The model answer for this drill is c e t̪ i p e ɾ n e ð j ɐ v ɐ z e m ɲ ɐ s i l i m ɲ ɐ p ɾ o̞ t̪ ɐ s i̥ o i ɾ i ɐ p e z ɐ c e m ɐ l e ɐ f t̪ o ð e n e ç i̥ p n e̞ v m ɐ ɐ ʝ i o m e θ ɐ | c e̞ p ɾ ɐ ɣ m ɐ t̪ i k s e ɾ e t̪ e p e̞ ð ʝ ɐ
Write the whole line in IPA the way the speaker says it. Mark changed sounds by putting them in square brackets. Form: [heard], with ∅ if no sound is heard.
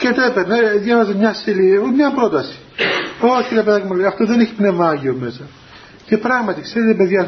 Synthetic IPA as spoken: c e t̪ [e] p e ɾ n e ð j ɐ v ɐ z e m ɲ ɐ s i l i m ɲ ɐ p ɾ o̞ t̪ ɐ s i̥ o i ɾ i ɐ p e [ð] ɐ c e m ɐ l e ɐ f t̪ o ð e n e ç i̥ p n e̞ v m ɐ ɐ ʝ i o m e [s] ɐ | c e̞ p ɾ ɐ ɣ m ɐ t̪ i k s e ɾ e t̪ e p e̞ ð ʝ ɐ